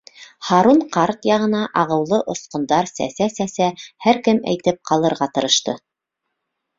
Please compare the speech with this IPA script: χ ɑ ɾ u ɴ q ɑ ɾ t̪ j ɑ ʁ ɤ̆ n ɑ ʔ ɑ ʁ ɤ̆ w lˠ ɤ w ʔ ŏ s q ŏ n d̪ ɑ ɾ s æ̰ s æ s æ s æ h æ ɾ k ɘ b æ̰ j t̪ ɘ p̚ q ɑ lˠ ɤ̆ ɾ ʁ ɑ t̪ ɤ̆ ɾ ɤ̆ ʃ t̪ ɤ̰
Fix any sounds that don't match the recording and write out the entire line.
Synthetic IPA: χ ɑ ɾ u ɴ q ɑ ɾ t̪ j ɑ ʁ ɤ̆ n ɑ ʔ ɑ ʁ ɤ̆ w lˠ ɤ ʔ ŏ s q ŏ n d̪ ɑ ɾ s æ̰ s æ s æ s æ h æ ɾ k ɘ m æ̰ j t̪ ɘ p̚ q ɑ lˠ ɤ̆ ɾ ʁ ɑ t̪ ɤ̆ ɾ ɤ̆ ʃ t̪ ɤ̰